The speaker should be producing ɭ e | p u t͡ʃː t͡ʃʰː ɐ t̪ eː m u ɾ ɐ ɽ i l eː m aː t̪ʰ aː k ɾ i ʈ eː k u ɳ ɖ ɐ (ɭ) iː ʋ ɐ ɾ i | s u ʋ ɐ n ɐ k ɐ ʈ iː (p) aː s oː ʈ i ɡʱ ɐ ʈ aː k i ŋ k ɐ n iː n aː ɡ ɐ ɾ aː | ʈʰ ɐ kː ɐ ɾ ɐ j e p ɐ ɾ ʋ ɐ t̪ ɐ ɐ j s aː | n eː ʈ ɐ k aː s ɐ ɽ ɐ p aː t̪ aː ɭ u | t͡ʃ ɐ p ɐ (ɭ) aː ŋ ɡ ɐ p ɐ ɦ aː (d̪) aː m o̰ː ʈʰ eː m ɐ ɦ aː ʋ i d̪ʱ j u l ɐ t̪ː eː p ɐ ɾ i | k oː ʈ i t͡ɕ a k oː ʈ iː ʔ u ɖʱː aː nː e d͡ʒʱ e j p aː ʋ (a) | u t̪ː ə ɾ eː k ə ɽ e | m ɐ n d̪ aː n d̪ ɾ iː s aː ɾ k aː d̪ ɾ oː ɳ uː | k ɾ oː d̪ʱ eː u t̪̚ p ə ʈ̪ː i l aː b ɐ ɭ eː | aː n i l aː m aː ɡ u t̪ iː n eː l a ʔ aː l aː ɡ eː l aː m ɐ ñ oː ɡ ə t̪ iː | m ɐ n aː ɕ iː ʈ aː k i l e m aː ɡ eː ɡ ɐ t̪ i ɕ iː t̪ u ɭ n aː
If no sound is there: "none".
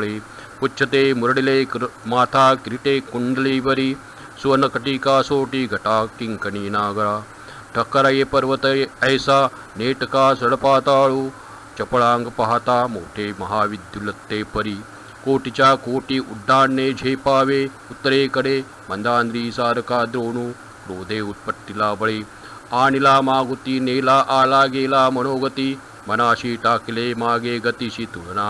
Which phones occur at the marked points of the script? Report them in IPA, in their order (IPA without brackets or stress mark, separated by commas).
l, k, ɭ, t̪, e